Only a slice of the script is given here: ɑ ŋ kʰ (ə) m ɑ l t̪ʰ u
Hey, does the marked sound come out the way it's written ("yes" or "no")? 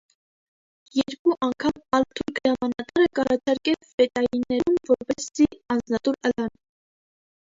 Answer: no